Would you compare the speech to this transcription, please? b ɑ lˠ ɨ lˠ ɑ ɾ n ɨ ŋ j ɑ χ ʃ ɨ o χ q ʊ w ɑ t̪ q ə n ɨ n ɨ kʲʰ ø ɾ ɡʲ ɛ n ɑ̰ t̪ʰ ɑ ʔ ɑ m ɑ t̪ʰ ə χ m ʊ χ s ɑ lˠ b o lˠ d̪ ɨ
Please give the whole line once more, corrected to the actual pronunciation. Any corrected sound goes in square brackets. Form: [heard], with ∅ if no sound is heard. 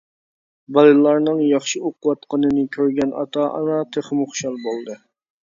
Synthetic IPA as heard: b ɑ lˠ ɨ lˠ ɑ ɾ n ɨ ŋ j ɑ χ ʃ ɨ o [∅] q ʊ w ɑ t̪ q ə n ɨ n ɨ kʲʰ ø ɾ ɡʲ ɛ n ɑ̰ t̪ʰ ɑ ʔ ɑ [n] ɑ t̪ʰ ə χ m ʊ χ [ʃ] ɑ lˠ b o lˠ d̪ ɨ